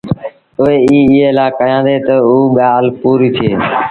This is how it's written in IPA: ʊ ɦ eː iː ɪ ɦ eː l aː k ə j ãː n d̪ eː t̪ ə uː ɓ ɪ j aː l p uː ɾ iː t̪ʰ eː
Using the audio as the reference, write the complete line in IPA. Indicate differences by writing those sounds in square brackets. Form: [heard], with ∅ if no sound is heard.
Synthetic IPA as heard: ʊ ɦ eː iː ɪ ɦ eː l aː k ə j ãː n d̪ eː t̪ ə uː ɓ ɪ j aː l p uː ɾ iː t̪ʰ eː